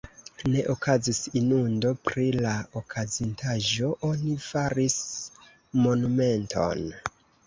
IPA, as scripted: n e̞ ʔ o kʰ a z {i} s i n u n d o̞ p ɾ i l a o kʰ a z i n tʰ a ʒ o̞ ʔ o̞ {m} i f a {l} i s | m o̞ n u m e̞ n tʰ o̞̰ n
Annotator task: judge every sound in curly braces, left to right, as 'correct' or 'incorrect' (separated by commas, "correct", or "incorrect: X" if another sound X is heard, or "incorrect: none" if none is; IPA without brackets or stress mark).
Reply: correct, incorrect: n, incorrect: ɾ